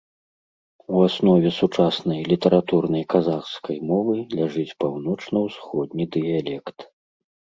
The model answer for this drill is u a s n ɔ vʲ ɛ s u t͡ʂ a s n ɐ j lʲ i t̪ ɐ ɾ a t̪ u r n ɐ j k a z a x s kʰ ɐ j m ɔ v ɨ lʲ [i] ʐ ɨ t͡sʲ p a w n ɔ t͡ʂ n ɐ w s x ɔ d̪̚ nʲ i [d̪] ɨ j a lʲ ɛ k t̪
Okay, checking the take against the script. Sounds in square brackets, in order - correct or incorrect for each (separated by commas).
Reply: incorrect, correct